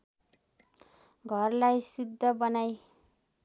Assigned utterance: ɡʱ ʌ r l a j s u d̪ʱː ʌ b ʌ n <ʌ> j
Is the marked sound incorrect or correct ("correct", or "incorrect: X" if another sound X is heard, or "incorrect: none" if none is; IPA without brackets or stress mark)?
incorrect: a